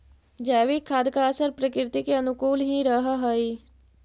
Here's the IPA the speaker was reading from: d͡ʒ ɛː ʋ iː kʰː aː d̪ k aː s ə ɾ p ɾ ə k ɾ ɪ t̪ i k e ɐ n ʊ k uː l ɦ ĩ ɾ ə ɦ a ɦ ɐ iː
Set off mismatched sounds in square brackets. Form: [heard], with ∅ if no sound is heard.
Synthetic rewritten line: d͡ʒ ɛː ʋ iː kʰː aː d̪ k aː s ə ɾ p ɾ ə k ɾ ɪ t̪ i k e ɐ n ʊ k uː l ɦ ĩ ɾ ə ɦ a ɦ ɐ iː